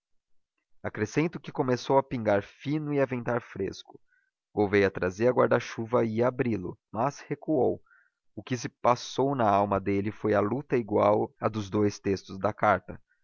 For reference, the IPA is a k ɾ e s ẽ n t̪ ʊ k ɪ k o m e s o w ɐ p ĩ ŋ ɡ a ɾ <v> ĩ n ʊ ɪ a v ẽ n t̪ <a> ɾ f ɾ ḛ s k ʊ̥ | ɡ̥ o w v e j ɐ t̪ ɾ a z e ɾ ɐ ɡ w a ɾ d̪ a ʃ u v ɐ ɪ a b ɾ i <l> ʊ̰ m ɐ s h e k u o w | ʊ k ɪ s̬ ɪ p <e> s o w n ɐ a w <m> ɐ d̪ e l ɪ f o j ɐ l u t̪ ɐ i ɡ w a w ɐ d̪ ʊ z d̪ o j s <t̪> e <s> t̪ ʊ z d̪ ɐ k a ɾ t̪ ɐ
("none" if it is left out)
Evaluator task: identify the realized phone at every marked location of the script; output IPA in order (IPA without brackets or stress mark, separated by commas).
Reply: f, a, l, a, m, t̪, s